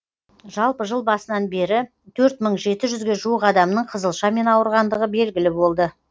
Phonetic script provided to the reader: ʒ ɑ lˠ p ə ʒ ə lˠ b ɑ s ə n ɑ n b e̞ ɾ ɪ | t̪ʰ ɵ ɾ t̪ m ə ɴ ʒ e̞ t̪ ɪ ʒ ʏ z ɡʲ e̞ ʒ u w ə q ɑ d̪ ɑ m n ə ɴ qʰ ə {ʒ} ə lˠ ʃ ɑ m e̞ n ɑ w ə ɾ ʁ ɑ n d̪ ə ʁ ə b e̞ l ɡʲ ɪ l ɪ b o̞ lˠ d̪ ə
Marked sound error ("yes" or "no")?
yes